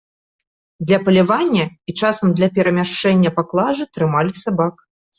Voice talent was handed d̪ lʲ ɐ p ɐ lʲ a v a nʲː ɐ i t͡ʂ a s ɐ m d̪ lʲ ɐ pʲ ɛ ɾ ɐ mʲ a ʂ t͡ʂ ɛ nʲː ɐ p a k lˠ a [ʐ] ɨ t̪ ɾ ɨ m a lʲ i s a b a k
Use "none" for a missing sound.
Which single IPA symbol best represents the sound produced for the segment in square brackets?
ʐ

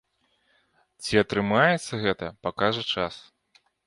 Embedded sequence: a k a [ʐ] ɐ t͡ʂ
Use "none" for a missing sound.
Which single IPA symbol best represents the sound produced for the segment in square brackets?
ʐ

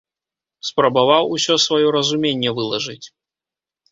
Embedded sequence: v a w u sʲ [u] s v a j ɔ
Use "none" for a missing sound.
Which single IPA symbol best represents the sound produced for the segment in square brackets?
ɔ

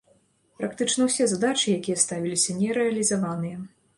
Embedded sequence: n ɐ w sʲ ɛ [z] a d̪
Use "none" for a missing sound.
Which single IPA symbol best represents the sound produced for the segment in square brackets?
z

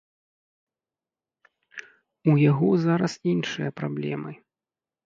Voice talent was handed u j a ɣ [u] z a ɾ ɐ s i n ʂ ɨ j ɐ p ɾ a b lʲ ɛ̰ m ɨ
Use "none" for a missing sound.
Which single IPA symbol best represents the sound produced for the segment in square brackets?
ɔ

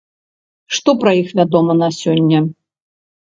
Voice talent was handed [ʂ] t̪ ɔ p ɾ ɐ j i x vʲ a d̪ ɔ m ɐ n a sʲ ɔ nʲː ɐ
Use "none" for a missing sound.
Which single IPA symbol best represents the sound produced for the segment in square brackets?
ʂ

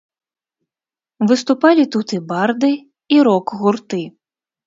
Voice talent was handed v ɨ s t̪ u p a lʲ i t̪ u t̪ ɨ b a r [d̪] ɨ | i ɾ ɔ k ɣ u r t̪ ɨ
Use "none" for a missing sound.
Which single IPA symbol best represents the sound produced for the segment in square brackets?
d̪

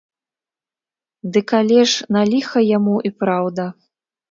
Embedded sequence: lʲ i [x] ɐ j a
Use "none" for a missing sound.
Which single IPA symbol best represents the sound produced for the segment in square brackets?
x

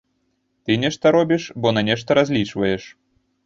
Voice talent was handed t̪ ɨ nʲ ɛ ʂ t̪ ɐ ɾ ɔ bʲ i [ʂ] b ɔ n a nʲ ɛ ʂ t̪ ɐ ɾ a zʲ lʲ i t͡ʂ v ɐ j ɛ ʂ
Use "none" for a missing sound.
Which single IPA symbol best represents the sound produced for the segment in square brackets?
ʂ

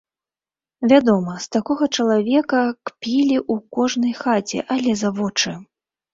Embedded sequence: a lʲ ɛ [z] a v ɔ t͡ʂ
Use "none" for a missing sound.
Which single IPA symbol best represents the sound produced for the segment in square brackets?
z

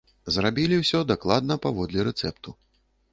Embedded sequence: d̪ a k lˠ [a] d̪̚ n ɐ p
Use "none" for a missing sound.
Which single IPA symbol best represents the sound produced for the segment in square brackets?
a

